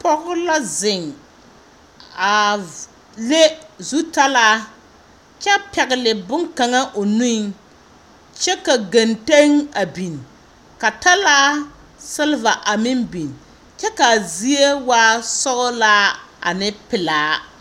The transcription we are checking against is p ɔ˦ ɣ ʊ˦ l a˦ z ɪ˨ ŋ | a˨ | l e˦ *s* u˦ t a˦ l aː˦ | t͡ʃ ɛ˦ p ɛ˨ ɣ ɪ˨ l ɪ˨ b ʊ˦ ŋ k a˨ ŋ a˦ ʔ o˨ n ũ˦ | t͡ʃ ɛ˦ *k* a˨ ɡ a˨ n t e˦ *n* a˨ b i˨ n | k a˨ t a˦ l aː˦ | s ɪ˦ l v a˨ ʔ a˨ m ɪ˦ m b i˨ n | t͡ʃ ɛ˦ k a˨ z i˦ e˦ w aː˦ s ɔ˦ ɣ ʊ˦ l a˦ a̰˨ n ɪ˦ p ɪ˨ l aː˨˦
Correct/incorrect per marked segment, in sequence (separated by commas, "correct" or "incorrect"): incorrect, correct, incorrect